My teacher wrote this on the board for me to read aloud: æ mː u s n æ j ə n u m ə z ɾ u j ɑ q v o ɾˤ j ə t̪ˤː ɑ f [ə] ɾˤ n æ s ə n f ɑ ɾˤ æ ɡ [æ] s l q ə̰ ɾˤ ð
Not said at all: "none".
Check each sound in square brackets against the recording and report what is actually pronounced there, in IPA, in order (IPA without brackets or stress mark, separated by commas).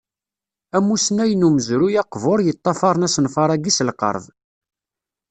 ɑ, i